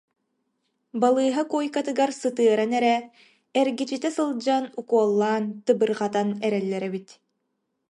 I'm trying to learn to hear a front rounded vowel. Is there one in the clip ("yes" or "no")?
no